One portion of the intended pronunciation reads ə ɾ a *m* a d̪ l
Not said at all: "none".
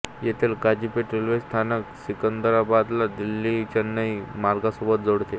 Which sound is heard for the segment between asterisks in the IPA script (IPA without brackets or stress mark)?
b